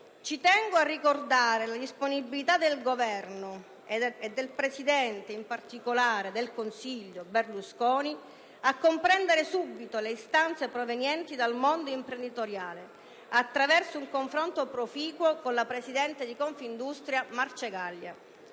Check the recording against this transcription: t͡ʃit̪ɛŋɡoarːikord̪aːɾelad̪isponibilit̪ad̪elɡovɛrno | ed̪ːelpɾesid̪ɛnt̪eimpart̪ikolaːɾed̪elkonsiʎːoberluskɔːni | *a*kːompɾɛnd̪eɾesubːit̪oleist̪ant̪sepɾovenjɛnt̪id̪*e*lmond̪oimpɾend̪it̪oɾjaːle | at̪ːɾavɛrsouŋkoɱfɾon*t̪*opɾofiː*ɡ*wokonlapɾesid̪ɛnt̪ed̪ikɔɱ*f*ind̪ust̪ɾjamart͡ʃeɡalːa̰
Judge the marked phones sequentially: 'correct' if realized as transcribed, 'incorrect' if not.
correct, incorrect, correct, incorrect, correct

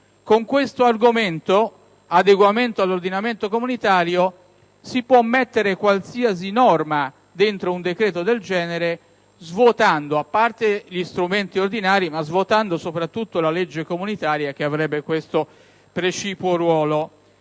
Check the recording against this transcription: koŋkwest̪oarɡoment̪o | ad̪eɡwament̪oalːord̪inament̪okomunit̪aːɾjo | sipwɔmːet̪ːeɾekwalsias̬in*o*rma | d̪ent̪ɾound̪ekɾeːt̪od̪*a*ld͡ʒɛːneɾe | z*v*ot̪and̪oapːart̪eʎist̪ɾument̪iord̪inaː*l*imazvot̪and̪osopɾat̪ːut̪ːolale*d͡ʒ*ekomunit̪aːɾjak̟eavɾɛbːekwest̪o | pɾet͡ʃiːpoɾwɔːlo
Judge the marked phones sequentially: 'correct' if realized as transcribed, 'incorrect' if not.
incorrect, incorrect, correct, incorrect, incorrect

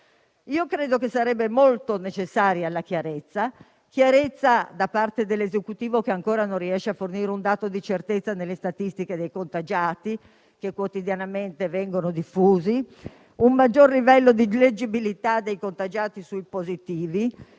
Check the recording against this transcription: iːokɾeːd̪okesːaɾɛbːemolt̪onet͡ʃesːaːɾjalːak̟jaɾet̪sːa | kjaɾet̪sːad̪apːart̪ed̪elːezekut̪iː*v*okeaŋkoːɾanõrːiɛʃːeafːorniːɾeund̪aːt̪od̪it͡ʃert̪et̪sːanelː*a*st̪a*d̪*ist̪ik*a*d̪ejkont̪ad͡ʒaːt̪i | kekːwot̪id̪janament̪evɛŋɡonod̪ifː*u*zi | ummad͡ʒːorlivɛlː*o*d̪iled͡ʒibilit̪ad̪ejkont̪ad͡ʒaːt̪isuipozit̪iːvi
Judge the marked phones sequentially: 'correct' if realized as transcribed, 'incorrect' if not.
correct, incorrect, incorrect, incorrect, incorrect, correct

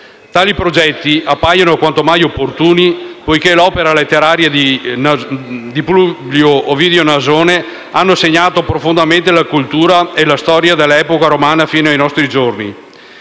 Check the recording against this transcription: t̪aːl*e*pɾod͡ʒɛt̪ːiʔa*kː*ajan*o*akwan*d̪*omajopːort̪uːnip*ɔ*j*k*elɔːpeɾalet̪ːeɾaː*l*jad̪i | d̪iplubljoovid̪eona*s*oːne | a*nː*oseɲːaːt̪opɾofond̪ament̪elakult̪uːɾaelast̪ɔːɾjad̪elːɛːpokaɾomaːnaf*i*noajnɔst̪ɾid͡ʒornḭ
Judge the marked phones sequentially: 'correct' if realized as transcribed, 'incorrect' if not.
incorrect, incorrect, correct, incorrect, incorrect, correct, incorrect, incorrect, correct, incorrect

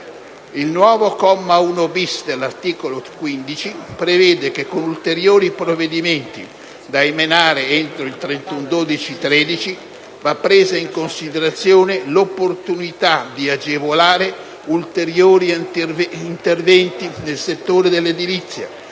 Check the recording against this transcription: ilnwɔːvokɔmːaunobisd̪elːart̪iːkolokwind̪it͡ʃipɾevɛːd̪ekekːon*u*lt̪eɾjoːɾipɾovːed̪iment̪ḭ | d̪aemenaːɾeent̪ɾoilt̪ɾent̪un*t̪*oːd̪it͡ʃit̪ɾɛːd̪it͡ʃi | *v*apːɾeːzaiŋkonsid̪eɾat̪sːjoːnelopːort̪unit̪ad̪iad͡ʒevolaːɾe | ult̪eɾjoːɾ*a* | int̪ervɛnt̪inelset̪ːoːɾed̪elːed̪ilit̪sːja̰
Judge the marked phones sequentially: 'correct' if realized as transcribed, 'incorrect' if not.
correct, incorrect, correct, incorrect

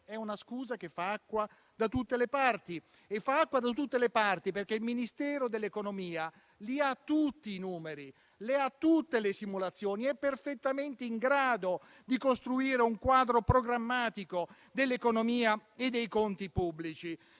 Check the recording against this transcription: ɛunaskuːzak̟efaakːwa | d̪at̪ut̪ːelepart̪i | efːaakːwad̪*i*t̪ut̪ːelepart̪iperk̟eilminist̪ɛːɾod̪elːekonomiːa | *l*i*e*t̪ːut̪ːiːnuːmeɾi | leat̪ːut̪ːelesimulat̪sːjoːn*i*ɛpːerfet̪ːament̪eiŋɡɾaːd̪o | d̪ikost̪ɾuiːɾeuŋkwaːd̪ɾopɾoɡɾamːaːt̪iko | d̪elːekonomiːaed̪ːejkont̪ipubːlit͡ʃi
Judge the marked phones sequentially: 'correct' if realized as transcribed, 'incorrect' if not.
incorrect, correct, incorrect, correct

